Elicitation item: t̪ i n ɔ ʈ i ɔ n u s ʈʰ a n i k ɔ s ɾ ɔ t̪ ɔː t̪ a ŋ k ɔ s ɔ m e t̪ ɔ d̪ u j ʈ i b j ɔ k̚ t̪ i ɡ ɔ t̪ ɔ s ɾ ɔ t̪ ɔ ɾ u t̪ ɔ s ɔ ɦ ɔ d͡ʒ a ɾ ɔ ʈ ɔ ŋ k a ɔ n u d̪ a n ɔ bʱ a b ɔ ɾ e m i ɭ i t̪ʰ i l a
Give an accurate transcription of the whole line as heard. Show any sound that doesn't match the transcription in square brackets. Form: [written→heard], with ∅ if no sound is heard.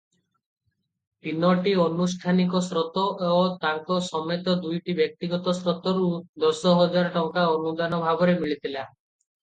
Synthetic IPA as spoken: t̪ i n ɔ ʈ i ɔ n u s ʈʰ a n i k ɔ s ɾ ɔ t̪ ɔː t̪ a ŋ k ɔ s ɔ m e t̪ ɔ d̪ u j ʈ i b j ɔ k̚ t̪ i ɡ ɔ t̪ ɔ s ɾ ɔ t̪ ɔ ɾ u [t̪→d̪] ɔ s ɔ ɦ ɔ d͡ʒ a ɾ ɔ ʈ ɔ ŋ k a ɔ n u d̪ a n ɔ bʱ a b ɔ ɾ e m i ɭ i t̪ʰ i l a